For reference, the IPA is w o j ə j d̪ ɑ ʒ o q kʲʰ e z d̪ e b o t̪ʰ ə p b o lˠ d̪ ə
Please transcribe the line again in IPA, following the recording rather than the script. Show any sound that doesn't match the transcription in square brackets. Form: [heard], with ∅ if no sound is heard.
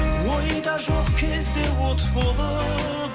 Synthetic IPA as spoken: w o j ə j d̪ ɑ ʒ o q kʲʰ e z d̪ e [w] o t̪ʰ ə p b o lˠ d̪ ə

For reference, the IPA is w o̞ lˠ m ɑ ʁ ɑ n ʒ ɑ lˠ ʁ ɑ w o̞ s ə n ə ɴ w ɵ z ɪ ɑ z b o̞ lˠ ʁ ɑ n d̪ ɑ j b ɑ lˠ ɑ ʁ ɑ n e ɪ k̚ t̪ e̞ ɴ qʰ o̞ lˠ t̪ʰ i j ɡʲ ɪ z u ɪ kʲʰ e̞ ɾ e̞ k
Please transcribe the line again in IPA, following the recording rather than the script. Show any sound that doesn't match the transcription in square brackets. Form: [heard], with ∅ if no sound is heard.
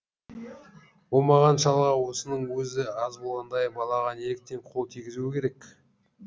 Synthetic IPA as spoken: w o̞ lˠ m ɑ ʁ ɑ n [ʃ] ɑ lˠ ʁ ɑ w o̞ s ə n ə ɴ w ɵ z ɪ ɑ z b o̞ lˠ ʁ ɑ n d̪ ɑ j b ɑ lˠ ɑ ʁ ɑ n e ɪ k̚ t̪ e̞ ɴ qʰ o̞ lˠ t̪ʰ i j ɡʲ ɪ z u ɪ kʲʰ e̞ ɾ e̞ k

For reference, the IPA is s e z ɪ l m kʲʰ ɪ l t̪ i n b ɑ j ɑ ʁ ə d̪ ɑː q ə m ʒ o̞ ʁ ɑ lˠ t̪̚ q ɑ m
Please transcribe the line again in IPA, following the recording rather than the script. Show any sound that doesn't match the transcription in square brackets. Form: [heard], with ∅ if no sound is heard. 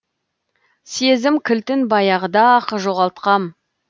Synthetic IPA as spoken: s e z ɪ [∅] m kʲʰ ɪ l t̪ [ɪ] n b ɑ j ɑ ʁ ə d̪ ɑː q ə [∅] ʒ o̞ ʁ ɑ lˠ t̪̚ q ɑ m

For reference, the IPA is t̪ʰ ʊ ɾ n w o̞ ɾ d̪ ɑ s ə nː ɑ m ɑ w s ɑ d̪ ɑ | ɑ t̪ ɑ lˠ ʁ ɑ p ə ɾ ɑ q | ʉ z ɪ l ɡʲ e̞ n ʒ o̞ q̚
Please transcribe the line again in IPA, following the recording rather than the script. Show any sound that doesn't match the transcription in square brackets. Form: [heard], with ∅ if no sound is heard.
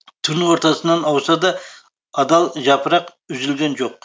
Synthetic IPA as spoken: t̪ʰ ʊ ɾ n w o̞ ɾ [t̪] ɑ s ə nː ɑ [n] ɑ w s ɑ d̪ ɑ | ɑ [d̪] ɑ lˠ [ʒ] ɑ p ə ɾ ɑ q | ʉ z ɪ l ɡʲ e̞ n ʒ o̞ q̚

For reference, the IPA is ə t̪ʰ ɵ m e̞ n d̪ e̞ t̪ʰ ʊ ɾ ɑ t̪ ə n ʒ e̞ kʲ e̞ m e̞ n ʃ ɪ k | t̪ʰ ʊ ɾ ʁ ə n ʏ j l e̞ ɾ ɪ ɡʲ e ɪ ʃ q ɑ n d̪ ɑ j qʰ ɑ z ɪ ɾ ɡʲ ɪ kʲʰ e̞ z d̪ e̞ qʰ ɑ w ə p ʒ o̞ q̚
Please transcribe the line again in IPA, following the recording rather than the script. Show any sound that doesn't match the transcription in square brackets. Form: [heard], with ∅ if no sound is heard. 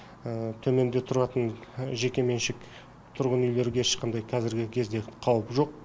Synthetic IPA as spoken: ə t̪ʰ ɵ m e̞ n d̪ e̞ t̪ʰ ʊ ɾ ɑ t̪ ə n ʒ e̞ kʲ e̞ m e̞ n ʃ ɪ k | t̪ʰ ʊ ɾ ʁ ə n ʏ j l e̞ ɾ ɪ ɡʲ e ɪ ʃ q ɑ n d̪ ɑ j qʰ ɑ z ɪ ɾ ɡʲ ɪ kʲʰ e̞ z d̪ e̞ qʰ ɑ w ə p ʒ o̞ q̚

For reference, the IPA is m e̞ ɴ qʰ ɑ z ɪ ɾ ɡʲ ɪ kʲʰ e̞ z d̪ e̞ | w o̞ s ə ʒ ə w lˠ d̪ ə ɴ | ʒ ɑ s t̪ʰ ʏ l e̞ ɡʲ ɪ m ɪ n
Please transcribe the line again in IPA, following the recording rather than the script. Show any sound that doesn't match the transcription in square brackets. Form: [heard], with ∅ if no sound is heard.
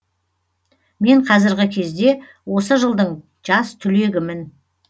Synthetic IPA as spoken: m e̞ ɴ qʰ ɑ z ɪ ɾ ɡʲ ɪ kʲʰ e̞ z d̪ e̞ | w o̞ s ə ʒ ə [∅] lˠ d̪ ə ɴ | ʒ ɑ s t̪ʰ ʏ l e̞ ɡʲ ɪ m ɪ n

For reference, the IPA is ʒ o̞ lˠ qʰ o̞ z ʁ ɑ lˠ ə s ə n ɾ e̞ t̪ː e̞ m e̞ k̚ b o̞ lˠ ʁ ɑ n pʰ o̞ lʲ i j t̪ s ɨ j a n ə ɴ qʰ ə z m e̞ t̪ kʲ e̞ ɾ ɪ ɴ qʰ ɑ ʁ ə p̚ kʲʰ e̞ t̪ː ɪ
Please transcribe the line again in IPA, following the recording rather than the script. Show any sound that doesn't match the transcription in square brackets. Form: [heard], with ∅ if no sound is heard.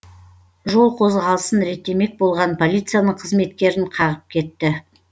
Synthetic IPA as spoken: ʒ o̞ lˠ qʰ o̞ z ʁ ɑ lˠ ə s ə n ɾ e̞ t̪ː e̞ m e̞ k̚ b o̞ lˠ ʁ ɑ n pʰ o̞ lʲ i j t̪ s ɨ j a n ə ɴ qʰ ə z m e̞ t̪ kʲ e̞ ɾ ɪ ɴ qʰ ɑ ʁ ə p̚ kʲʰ e̞ t̪ː ɪ

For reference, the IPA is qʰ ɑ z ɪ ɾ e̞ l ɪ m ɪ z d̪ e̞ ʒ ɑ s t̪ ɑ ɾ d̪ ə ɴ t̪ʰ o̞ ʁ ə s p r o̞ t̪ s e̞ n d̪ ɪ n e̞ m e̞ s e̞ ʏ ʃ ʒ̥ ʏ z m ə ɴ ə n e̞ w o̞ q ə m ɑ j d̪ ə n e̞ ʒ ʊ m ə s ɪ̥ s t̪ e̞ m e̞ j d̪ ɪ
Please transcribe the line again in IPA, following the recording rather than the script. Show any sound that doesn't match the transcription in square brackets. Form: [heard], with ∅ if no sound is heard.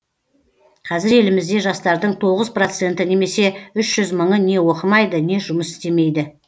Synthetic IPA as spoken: qʰ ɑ z ɪ ɾ e̞ l ɪ m ɪ z d̪ e̞ ʒ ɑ s t̪ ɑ ɾ d̪ ə ɴ t̪ʰ o̞ ʁ ə [z] p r o̞ t̪ s e̞ n [t̪] ɪ n e̞ m e̞ s e̞ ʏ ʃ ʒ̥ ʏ z m ə ɴ ə n e̞ w o̞ q ə m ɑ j d̪ ə n e̞ ʒ ʊ m ə s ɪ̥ s t̪ e̞ m e̞ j d̪ ɪ

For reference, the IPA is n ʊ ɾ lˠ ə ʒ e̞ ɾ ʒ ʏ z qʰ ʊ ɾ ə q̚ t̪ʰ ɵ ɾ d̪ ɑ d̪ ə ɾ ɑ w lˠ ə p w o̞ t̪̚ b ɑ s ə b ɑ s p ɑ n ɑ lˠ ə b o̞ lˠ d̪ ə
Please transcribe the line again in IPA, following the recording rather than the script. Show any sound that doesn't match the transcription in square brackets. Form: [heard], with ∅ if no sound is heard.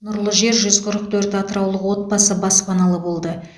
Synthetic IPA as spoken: n ʊ ɾ lˠ ə ʒ e̞ ɾ ʒ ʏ z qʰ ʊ ɾ ə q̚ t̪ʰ ɵ ɾ [t̪] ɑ [t̪] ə ɾ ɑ w lˠ ə [q] w o̞ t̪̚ b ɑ s ə b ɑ s p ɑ n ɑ lˠ ə b o̞ lˠ d̪ ə

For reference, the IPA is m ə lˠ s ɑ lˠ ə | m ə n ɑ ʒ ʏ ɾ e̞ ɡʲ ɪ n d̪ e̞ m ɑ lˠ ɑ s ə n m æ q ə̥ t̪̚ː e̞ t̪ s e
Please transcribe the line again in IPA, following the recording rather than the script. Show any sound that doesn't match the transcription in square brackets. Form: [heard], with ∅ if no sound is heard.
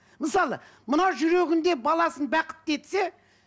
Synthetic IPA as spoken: m ə [∅] s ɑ lˠ ə | m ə n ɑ ʒ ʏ ɾ e̞ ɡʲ ɪ n d̪ e̞ [b] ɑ lˠ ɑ s ə n [b] æ q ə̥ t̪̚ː e̞ t̪ s e

